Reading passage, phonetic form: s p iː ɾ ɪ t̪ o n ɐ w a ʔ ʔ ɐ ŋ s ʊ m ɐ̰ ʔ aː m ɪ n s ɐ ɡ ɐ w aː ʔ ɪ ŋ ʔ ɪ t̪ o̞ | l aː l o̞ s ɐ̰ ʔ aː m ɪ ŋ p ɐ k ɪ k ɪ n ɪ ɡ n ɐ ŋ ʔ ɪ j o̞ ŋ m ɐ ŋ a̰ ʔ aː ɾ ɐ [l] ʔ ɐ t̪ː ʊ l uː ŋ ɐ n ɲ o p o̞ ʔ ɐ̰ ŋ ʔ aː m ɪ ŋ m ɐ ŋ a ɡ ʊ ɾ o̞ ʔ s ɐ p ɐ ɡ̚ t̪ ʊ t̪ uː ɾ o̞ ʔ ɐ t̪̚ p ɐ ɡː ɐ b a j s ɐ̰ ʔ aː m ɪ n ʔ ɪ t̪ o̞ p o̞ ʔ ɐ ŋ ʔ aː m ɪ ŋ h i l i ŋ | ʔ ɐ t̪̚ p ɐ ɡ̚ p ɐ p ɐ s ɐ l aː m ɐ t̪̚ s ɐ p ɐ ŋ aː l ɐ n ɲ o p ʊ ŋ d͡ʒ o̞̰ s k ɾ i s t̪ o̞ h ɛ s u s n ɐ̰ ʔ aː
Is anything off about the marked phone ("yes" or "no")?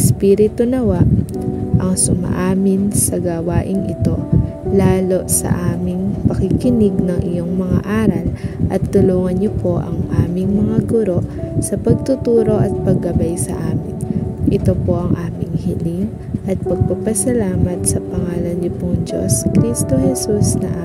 no